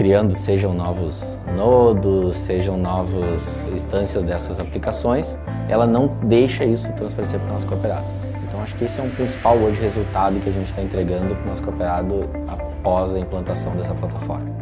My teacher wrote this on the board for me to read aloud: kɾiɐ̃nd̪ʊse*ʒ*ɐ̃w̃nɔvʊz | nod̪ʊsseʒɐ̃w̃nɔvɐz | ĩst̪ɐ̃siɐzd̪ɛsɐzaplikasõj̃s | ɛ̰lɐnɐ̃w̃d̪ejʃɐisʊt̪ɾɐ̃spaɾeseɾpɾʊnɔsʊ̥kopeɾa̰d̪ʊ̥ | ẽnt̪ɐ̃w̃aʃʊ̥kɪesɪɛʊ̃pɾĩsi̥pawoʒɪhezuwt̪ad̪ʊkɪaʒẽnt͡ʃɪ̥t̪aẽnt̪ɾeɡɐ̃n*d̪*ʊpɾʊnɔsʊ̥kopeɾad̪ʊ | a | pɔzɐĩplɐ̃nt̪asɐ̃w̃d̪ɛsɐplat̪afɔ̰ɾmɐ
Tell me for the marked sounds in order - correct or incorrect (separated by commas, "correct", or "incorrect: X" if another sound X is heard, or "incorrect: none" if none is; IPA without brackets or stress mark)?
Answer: correct, correct